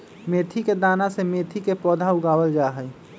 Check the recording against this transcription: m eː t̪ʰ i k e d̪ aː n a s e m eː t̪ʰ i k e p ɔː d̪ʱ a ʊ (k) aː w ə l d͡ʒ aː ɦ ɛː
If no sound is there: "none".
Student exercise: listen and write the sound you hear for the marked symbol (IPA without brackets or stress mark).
ɡ